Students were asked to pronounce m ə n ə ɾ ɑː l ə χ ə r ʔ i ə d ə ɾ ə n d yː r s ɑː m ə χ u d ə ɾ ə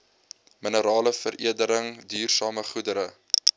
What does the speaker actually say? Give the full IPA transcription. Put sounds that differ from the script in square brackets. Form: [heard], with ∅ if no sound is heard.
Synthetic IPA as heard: m ə n ə ɾ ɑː l ə [f] ə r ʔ i ə d ə ɾ ə [ŋ] d yː r s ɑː m ə χ u d ə ɾ ə